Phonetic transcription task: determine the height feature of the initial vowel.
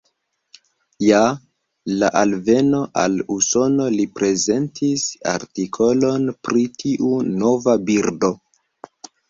low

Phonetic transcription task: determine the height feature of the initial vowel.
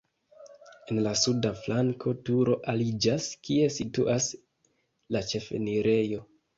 mid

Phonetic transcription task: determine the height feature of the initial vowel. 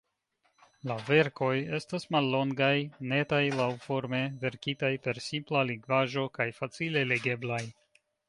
low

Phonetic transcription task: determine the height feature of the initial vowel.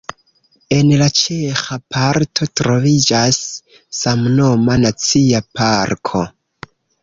mid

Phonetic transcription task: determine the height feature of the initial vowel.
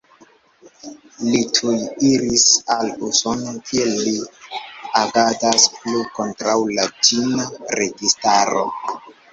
high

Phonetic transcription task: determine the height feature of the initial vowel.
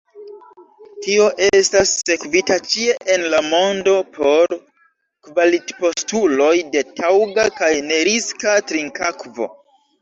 high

